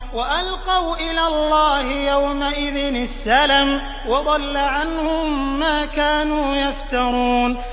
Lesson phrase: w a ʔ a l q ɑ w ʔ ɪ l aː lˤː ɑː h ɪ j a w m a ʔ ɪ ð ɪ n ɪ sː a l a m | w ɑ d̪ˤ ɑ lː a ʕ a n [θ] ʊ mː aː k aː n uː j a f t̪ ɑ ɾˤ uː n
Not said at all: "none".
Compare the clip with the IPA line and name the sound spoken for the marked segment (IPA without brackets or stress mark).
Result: h